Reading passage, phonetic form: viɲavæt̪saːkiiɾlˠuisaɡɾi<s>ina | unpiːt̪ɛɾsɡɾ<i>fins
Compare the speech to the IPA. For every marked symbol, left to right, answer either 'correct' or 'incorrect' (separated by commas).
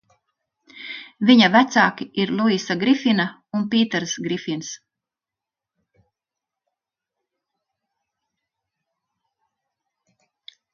incorrect, correct